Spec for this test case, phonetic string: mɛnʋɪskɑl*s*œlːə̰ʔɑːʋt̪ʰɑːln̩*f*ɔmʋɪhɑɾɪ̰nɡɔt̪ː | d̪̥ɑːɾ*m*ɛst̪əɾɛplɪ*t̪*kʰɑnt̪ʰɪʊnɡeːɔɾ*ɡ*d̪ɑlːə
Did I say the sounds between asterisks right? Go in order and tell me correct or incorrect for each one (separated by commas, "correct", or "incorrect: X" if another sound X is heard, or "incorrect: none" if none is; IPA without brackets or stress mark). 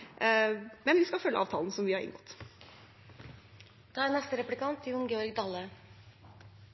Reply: incorrect: f, incorrect: s, incorrect: n, incorrect: none, correct